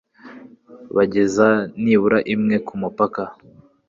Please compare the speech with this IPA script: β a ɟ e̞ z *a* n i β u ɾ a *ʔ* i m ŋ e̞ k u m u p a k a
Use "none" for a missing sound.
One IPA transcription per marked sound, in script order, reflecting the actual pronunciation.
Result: a, ʔ

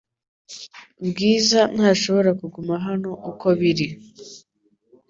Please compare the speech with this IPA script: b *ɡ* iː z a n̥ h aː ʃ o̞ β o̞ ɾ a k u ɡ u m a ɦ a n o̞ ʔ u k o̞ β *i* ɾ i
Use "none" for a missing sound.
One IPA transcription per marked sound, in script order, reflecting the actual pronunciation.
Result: ɡ, i

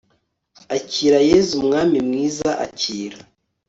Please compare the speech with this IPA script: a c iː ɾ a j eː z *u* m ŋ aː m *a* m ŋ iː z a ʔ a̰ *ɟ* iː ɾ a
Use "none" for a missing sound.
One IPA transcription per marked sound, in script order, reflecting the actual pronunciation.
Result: u, i, c

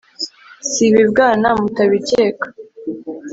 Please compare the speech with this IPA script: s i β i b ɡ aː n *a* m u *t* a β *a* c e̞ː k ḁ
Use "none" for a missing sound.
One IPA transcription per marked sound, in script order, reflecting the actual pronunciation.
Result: a, t, i

